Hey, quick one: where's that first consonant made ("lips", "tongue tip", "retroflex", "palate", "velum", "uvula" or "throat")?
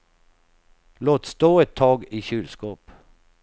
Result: tongue tip